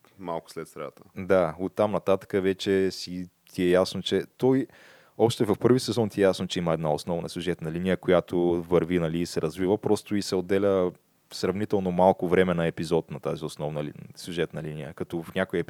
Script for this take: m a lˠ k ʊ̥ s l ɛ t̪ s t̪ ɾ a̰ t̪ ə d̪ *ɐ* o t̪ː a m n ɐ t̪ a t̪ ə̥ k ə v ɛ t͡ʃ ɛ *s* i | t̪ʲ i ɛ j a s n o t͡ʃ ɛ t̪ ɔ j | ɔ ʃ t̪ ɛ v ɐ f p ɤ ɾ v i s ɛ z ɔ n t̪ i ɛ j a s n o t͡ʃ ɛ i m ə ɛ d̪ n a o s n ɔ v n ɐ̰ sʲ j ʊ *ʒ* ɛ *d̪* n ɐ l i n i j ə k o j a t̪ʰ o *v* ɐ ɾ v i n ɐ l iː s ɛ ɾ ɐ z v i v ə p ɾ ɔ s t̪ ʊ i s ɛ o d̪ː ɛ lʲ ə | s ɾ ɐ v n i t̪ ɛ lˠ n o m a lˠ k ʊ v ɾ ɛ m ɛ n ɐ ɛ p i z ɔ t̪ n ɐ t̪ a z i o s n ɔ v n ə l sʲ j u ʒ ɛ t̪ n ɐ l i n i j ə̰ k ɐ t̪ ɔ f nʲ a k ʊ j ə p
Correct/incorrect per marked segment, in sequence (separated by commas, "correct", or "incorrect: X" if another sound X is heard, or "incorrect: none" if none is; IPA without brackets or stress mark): incorrect: a, correct, correct, incorrect: t̪, correct